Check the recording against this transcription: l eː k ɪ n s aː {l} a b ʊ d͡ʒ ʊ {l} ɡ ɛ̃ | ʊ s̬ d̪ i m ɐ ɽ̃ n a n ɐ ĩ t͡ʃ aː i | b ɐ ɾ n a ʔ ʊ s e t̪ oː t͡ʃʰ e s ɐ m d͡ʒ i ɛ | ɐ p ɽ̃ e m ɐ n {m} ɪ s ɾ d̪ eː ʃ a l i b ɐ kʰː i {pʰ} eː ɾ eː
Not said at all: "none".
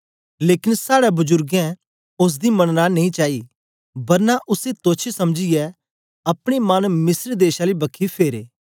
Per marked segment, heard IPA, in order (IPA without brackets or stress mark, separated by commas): ɽ, ɾ, m, pʰ